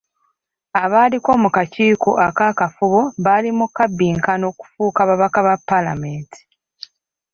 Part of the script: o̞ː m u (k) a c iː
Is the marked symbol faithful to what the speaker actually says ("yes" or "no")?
yes